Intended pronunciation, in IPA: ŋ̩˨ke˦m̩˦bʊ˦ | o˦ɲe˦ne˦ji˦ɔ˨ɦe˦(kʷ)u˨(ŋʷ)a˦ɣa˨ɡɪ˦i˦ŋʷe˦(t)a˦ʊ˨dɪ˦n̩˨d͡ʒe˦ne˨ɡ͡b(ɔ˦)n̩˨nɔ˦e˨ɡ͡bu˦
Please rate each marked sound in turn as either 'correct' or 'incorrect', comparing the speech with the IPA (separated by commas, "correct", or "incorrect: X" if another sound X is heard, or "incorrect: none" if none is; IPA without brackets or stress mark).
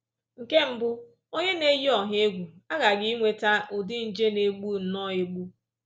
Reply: incorrect: ɡʷ, incorrect: none, correct, incorrect: u˦